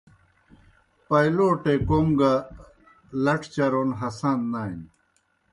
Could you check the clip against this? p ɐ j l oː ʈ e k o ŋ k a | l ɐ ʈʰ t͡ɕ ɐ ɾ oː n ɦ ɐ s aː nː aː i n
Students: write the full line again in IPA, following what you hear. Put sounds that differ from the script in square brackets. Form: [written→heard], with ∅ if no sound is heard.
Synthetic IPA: p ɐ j l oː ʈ e k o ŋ [k→ɡ] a | l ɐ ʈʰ t͡ɕ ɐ ɾ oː n ɦ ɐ s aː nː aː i n